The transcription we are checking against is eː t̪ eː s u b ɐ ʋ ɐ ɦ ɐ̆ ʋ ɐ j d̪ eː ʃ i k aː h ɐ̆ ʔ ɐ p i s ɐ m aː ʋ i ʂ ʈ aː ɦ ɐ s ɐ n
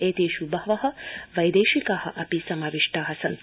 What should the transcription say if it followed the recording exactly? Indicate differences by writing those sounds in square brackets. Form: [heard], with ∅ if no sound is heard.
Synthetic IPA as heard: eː t̪ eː [ʃ] u b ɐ ʋ ɐ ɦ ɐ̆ ʋ ɐ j d̪ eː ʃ i k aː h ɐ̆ ʔ ɐ p i s ɐ m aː ʋ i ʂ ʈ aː ɦ ɐ s ɐ n